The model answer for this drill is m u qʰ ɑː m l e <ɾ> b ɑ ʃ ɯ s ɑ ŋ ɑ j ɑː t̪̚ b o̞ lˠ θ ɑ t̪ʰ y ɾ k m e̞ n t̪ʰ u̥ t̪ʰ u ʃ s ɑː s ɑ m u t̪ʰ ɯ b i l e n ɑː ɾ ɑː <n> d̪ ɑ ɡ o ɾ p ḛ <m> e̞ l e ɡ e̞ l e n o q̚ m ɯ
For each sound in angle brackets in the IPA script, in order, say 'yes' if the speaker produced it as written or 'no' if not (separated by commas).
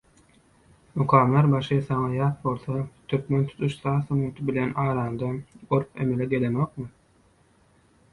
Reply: yes, yes, yes